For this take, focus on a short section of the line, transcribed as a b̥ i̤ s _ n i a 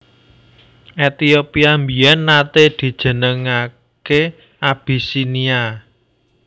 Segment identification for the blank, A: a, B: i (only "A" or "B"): B